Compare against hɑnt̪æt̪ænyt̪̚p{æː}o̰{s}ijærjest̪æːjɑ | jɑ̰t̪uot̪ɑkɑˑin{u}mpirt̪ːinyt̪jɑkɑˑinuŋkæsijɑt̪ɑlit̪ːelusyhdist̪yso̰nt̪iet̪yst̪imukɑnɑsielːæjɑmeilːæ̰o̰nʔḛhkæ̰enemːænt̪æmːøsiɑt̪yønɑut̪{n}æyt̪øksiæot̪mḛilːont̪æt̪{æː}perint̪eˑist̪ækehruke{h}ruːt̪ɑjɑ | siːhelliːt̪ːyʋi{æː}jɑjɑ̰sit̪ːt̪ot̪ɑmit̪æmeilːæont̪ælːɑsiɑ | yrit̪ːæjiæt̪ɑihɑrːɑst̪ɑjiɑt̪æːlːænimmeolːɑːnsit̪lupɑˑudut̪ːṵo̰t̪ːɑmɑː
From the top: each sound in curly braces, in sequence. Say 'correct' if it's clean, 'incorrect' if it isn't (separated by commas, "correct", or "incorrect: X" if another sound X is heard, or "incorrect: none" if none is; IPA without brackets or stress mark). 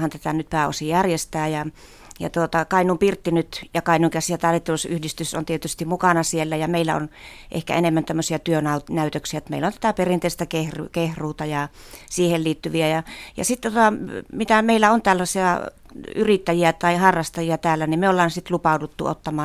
correct, correct, correct, correct, incorrect: æ, correct, incorrect: æ